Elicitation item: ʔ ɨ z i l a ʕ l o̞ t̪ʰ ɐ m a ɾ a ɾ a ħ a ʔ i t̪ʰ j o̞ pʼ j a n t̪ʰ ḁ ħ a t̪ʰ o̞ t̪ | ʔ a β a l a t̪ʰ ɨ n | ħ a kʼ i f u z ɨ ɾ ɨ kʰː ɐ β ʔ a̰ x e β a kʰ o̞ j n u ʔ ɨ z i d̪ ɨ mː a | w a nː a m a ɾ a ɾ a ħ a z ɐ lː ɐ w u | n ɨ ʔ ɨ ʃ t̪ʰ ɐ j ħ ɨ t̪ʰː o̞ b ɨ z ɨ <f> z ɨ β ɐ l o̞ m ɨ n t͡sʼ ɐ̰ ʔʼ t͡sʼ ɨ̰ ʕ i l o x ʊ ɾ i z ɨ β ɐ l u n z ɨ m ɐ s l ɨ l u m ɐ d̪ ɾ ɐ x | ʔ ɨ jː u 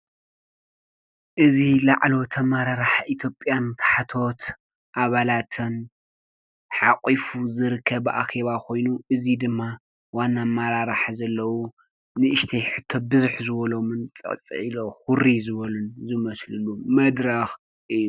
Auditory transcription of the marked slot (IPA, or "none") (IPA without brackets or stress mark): ħ